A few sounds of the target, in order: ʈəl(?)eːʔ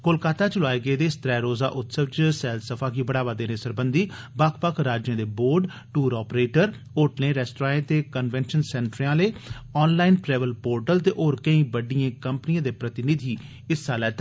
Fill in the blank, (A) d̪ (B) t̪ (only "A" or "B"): B